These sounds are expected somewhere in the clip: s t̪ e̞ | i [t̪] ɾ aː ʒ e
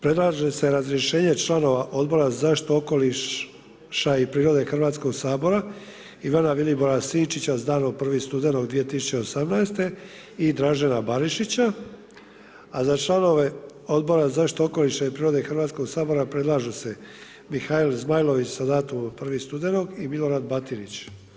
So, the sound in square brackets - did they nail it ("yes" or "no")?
no